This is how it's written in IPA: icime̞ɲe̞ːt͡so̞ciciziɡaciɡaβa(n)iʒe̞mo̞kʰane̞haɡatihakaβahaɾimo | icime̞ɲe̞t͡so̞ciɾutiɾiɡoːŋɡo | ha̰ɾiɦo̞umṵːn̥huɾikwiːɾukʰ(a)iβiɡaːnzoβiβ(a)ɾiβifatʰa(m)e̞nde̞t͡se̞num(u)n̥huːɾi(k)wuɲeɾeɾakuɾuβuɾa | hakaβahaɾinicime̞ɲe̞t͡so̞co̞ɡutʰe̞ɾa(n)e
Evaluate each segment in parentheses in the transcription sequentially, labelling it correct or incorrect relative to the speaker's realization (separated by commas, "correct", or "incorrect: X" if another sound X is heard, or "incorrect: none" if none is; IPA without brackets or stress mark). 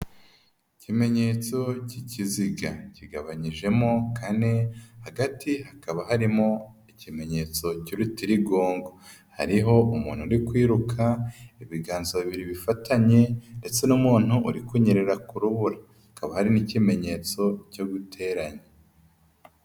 incorrect: ɲ, correct, incorrect: i, incorrect: ɲ, incorrect: uː, correct, incorrect: ɲ